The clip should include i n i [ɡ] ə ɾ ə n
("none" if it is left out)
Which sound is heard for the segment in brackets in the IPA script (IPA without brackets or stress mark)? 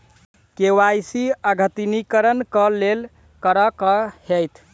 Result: k